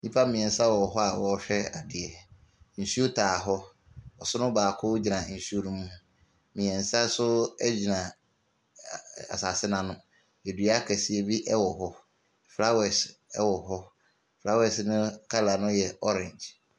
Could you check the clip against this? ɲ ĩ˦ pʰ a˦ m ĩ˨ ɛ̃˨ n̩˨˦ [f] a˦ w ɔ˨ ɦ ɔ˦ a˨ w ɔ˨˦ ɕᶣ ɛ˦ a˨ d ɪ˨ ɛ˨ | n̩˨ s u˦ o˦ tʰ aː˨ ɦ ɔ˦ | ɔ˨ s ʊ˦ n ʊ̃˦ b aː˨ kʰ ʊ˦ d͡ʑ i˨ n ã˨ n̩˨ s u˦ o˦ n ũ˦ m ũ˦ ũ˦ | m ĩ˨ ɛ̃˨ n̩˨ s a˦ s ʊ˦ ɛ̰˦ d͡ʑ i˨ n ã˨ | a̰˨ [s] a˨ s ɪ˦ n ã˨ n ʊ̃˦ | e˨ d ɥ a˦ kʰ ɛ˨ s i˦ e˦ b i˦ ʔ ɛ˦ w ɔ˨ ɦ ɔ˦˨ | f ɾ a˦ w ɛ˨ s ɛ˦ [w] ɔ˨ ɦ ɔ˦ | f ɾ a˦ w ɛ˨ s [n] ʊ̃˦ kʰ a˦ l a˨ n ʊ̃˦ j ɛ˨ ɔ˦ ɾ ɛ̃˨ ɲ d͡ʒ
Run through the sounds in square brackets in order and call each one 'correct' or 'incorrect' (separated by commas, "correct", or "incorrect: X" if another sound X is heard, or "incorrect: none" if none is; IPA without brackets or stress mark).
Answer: incorrect: s, correct, correct, correct